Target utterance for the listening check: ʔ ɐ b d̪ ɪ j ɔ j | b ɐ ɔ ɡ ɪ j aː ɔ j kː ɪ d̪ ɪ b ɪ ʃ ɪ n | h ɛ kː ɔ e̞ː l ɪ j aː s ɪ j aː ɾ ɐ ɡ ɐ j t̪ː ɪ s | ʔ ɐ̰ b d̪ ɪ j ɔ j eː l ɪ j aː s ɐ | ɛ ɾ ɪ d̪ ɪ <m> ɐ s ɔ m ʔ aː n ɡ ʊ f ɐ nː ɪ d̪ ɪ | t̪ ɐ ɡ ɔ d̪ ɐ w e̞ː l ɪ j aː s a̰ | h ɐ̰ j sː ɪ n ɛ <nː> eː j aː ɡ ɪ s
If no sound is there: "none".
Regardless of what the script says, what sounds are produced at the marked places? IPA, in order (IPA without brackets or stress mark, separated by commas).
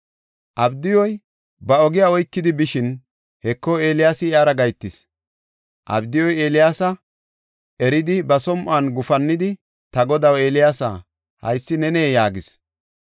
b, n